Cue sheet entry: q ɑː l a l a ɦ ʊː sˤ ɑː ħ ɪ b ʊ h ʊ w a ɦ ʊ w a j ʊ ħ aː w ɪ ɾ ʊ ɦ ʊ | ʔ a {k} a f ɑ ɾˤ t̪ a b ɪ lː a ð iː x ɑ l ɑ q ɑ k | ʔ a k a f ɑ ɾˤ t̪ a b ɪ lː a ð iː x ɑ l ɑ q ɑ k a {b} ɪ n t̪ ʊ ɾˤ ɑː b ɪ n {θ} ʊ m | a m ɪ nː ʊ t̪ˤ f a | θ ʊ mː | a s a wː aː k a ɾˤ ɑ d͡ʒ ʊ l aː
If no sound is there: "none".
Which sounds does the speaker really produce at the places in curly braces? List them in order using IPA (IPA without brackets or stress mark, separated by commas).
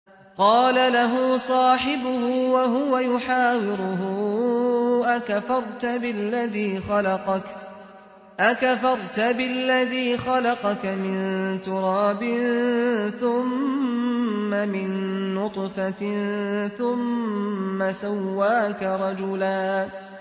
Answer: k, m, θ